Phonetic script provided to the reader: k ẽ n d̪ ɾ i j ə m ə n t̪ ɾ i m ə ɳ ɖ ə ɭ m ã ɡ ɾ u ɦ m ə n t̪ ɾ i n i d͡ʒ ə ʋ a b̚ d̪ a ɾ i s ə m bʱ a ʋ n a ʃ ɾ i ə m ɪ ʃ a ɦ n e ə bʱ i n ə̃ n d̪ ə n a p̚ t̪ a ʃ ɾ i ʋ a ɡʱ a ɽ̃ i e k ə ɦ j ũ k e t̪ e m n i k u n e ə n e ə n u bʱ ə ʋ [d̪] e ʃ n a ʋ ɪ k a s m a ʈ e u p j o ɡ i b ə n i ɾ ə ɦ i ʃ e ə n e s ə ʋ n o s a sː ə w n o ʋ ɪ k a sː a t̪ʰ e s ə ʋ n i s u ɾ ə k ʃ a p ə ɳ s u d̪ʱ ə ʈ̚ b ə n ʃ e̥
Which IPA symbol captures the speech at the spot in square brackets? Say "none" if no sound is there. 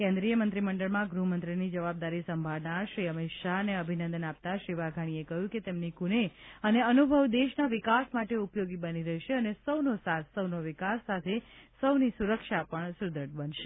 d̪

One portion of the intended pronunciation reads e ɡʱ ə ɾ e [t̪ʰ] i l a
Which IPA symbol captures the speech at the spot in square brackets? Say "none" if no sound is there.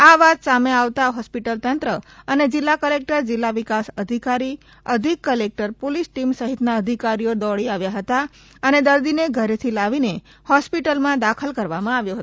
t̪ʰ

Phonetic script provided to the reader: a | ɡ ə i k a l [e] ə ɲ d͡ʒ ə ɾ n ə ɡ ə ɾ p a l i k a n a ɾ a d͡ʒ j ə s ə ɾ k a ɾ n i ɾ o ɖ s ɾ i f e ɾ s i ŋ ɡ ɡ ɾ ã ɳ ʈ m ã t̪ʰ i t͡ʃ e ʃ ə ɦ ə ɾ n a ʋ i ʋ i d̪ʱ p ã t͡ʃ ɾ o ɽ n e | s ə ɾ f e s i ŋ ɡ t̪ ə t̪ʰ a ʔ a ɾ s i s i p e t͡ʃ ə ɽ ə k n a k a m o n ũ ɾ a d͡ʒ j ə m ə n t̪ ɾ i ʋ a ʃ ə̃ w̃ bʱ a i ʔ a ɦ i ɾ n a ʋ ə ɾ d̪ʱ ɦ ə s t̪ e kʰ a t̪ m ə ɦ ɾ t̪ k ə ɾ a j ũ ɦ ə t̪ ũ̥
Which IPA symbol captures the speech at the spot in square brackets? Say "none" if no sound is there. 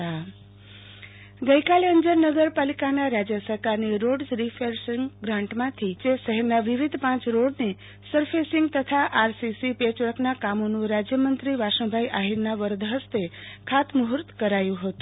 e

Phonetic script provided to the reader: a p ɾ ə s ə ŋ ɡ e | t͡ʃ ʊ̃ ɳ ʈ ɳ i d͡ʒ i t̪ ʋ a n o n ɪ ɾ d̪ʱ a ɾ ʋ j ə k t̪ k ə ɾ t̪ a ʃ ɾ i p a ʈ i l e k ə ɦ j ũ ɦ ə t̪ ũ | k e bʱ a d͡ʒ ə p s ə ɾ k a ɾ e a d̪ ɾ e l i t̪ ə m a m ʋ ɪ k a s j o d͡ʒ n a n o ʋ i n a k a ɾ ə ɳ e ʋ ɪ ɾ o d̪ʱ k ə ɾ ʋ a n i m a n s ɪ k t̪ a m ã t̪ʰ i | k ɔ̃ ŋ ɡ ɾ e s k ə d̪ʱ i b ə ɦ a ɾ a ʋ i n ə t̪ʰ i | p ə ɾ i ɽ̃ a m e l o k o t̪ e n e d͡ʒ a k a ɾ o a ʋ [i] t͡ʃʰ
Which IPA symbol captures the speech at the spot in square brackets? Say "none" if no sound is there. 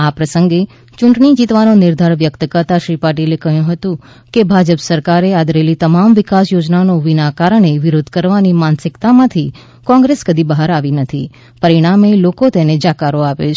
e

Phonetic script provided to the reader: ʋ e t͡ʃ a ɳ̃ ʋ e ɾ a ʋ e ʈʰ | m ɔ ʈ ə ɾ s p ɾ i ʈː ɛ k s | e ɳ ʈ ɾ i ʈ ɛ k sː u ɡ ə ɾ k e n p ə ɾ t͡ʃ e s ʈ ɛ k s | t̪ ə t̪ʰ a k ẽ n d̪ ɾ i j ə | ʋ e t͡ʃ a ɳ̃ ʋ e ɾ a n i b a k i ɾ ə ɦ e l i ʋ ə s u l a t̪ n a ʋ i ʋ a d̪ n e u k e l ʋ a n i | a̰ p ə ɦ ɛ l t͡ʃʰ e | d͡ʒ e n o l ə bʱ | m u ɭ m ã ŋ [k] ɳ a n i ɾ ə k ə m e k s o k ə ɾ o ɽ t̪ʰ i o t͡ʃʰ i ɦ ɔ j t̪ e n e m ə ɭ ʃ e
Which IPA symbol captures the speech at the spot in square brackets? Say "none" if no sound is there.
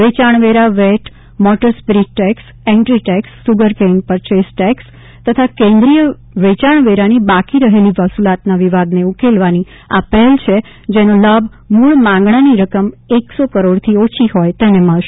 ɡ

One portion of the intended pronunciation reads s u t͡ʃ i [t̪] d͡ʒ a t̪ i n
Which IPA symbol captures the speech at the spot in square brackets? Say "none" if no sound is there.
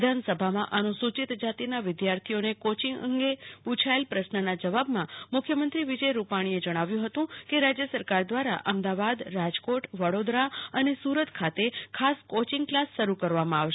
t̪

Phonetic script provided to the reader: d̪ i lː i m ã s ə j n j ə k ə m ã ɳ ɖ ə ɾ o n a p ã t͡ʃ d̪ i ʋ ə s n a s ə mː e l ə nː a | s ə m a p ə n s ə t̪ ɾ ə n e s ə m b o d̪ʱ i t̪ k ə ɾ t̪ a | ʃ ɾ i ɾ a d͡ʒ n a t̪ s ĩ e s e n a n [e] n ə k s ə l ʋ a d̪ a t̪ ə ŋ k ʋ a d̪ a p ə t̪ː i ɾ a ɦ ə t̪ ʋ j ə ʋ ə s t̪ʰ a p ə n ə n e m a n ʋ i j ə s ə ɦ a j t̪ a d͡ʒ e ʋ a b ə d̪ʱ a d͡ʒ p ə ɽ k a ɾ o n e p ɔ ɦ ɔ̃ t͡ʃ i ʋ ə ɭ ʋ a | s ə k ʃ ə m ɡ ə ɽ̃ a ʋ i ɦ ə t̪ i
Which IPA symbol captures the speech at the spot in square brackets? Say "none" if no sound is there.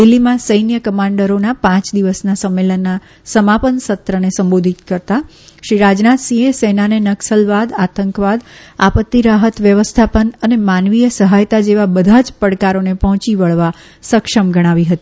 e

